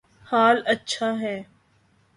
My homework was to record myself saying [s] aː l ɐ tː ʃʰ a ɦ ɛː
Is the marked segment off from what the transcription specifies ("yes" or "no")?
yes